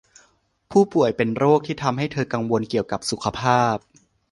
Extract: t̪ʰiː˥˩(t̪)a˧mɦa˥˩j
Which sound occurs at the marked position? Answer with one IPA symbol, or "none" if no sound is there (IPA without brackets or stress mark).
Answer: t̪ʰ